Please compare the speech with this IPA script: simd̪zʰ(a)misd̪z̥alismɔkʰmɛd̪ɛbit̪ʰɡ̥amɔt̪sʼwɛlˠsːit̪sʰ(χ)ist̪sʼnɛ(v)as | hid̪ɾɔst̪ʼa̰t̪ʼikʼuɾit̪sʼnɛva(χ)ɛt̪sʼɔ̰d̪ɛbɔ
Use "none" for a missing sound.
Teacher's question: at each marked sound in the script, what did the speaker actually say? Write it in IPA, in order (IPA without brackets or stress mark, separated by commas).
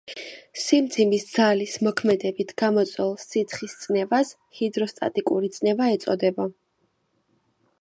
i, χ, v, none